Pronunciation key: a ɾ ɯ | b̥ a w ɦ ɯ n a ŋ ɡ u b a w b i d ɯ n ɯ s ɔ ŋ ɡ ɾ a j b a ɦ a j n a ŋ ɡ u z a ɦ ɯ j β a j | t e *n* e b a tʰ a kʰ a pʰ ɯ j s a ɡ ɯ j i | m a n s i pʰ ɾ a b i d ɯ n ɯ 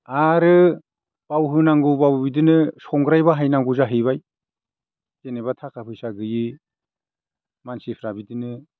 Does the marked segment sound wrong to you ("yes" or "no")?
no